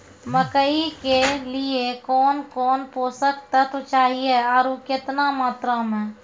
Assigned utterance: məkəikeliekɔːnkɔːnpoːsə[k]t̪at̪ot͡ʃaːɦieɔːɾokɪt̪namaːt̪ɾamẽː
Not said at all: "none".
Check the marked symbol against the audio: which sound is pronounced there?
k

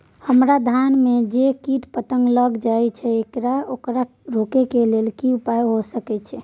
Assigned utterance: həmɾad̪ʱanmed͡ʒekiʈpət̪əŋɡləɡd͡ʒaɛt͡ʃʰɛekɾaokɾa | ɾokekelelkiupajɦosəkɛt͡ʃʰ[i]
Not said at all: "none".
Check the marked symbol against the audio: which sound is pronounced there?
ɛ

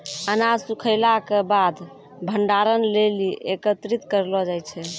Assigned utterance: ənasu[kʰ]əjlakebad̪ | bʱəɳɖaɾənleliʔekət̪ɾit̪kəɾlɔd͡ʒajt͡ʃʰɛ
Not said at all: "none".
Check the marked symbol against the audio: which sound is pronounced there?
kʰ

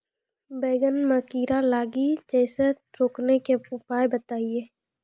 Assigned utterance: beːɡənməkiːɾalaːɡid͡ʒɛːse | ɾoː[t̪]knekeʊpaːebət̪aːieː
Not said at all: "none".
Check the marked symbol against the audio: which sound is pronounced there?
none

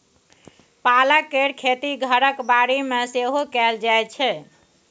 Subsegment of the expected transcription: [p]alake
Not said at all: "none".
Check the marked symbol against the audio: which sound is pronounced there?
p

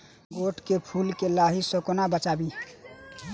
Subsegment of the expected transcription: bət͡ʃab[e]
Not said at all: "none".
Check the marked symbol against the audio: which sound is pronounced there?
i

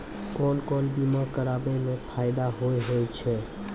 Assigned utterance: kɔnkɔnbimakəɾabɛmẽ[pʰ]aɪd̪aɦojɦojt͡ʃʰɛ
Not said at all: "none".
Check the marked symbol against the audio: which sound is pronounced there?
pʰ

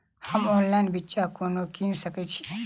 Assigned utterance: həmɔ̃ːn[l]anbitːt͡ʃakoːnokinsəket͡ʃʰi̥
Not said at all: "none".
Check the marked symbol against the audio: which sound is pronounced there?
l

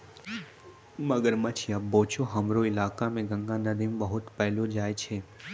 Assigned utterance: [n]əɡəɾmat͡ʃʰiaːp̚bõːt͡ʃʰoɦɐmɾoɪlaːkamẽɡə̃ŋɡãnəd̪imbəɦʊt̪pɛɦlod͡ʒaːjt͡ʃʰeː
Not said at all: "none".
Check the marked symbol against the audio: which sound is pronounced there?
m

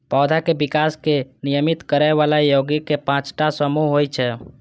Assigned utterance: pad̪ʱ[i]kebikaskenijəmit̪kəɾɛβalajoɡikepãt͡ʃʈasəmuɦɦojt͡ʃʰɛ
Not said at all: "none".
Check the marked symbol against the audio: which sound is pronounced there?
a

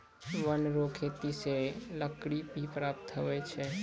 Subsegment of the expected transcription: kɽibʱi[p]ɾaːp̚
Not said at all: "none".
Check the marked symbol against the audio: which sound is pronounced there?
p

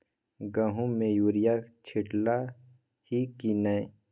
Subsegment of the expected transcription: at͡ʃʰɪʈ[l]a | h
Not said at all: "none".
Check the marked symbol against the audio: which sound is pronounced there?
l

